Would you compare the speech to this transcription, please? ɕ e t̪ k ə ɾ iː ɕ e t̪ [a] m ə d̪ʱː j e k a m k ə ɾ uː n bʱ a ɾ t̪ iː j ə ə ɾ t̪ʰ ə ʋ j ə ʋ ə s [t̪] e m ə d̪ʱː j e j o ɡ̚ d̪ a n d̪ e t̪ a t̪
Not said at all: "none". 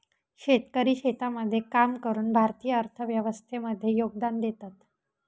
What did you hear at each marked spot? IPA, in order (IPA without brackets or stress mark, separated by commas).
a, t̪ʰ